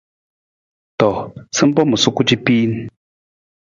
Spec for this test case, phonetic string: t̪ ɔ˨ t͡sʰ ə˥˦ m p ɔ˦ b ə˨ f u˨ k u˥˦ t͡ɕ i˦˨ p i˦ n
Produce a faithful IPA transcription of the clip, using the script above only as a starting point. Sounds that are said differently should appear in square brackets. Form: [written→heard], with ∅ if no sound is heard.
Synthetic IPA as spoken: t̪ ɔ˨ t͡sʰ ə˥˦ m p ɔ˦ [b→m] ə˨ [f→s] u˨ k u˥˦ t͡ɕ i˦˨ p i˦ n